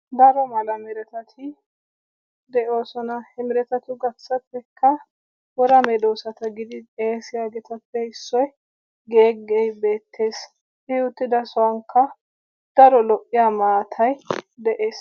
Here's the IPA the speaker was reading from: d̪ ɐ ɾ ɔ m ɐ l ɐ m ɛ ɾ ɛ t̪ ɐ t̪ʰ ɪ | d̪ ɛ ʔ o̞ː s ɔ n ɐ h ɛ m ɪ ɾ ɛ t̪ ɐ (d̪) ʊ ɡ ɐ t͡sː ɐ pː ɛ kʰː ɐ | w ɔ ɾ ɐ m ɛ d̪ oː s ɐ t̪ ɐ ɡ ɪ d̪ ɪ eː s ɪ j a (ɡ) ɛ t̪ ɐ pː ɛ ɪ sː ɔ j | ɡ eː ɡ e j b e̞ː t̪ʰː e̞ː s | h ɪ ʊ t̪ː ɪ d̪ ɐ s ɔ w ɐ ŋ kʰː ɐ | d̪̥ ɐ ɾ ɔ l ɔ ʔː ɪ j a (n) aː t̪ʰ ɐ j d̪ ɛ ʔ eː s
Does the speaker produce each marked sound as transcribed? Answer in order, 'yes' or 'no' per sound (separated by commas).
no, yes, no